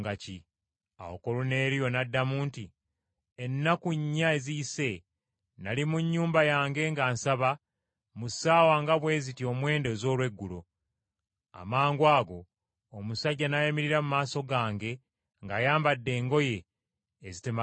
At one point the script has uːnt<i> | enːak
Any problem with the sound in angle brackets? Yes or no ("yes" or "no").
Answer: no